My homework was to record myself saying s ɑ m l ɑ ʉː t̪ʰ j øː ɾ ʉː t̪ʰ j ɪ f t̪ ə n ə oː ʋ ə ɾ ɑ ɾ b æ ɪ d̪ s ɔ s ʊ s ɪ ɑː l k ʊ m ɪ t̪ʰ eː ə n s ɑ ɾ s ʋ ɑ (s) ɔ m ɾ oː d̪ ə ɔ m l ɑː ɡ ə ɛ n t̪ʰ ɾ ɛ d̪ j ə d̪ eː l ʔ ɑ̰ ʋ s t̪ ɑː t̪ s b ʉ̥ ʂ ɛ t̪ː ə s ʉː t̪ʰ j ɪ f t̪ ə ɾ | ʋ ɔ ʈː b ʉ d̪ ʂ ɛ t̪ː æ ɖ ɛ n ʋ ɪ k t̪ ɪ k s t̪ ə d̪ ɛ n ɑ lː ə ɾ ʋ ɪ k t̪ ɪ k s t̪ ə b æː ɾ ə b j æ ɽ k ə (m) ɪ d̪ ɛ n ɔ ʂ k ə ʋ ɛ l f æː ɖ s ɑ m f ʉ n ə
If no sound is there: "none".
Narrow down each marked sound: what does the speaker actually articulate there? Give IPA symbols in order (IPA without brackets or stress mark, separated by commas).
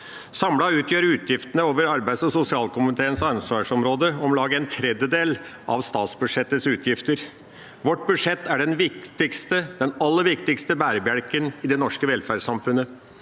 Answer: ʂ, n